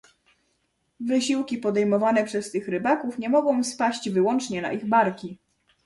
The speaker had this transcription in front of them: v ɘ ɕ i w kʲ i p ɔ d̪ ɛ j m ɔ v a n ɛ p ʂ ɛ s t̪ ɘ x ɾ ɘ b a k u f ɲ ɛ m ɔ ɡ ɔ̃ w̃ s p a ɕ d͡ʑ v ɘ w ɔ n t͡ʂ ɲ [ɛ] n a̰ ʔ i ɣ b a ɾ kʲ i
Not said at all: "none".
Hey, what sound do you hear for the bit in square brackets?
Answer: ɛ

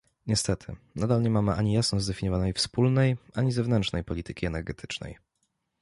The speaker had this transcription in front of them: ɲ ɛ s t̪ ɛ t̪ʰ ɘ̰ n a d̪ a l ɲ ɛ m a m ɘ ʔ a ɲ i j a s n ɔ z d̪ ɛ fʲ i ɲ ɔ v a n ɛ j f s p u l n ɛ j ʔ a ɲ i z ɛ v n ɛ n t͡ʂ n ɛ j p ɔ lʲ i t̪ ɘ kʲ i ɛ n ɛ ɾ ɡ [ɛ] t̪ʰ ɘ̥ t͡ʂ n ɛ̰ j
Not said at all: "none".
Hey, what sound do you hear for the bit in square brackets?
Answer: ɛ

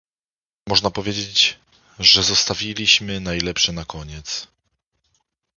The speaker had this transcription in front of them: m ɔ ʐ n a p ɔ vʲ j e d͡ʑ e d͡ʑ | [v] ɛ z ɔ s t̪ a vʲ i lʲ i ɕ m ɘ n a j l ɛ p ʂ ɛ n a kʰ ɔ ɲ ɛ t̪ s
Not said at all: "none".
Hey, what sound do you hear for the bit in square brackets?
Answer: ʐ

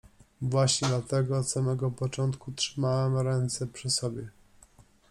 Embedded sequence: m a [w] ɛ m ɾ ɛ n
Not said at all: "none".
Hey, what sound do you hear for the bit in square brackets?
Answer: w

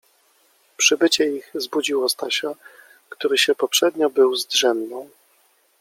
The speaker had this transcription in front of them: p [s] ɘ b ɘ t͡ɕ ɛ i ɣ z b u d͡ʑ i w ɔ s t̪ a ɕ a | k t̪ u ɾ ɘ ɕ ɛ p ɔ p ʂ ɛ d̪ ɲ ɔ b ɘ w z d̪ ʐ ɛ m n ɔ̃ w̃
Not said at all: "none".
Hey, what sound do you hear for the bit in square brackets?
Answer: ʂ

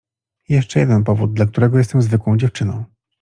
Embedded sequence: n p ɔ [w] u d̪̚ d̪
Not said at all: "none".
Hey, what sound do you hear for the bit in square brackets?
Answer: v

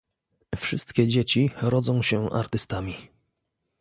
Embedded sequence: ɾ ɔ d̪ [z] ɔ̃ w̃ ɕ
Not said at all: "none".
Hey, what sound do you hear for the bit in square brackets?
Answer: z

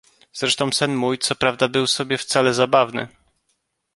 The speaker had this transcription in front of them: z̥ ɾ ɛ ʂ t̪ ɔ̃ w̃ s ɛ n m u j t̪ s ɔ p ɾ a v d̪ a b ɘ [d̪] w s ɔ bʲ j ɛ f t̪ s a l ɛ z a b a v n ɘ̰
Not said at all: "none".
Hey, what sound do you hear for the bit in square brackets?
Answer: none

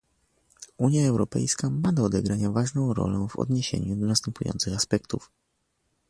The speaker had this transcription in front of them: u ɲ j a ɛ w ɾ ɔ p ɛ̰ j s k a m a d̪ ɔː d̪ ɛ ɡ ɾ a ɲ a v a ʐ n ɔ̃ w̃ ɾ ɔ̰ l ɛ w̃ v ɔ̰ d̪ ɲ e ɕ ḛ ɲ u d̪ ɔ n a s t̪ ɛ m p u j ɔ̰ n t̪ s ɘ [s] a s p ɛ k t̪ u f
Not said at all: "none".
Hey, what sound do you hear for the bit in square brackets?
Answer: x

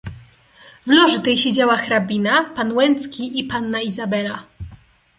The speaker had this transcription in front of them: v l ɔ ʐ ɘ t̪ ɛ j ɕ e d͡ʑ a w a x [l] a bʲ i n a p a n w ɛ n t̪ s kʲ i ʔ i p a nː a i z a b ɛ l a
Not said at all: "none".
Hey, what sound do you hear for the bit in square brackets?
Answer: ɾ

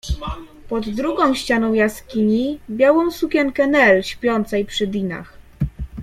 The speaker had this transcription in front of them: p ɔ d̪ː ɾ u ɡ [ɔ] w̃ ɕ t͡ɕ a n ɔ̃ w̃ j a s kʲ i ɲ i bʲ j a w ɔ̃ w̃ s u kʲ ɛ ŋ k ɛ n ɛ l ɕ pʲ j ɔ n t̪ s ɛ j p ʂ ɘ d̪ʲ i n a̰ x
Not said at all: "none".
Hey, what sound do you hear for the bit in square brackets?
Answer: ɔ̃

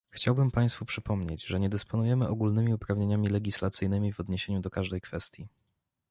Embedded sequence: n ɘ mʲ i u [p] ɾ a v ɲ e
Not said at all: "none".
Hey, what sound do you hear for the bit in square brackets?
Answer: p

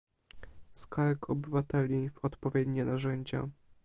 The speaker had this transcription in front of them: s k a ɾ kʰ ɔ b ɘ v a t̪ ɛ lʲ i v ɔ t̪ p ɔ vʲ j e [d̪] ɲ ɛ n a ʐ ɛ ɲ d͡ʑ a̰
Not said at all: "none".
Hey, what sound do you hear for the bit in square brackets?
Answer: d̪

